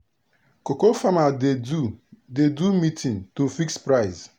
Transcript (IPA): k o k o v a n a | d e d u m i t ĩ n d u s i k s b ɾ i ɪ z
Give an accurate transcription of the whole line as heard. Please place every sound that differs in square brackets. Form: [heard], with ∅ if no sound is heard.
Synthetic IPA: k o k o [f] a [m] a | d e d u m i t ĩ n [t] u [f] i k s [p] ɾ [a] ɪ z